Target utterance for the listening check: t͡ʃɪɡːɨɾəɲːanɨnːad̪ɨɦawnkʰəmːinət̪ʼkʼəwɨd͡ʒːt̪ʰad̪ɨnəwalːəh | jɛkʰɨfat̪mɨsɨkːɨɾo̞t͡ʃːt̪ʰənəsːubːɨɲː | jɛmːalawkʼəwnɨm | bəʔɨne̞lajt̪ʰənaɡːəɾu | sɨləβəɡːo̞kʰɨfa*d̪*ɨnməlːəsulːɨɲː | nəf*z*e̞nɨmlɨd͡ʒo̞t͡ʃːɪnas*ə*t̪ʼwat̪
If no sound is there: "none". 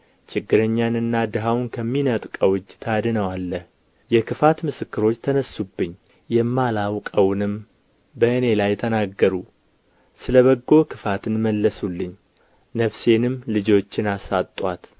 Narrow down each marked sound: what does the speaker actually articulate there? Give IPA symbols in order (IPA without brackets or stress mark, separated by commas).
t̪, s, a